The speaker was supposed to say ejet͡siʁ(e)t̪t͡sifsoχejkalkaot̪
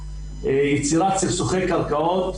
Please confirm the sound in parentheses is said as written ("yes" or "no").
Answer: no